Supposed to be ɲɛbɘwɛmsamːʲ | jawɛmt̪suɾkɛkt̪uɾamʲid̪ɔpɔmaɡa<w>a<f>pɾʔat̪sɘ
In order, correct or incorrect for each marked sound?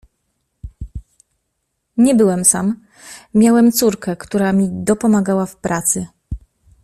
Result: correct, correct

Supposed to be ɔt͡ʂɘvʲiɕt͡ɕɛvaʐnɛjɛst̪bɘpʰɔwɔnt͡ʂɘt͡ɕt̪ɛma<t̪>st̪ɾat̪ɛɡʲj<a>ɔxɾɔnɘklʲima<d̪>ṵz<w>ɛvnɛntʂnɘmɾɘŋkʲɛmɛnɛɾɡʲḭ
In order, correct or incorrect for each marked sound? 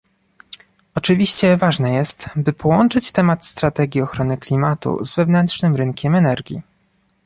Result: correct, incorrect, incorrect, incorrect

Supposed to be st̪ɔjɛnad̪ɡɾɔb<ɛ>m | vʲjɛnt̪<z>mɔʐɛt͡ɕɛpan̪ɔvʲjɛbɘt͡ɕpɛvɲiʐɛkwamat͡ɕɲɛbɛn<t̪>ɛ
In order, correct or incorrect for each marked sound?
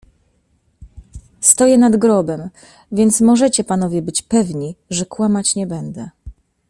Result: correct, incorrect, incorrect

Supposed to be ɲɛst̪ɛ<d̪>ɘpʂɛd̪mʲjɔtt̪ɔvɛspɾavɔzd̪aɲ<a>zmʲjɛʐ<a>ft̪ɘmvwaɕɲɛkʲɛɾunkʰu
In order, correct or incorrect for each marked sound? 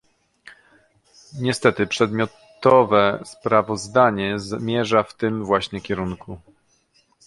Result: incorrect, incorrect, correct

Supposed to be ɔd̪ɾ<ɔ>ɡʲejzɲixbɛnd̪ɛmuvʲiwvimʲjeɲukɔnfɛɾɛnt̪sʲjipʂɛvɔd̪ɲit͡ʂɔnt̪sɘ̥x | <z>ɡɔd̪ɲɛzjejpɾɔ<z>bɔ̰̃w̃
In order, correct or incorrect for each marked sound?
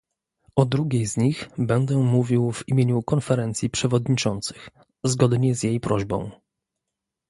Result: incorrect, correct, incorrect

